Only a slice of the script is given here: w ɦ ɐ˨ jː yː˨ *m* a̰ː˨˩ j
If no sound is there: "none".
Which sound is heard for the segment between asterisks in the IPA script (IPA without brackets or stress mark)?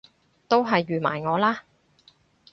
m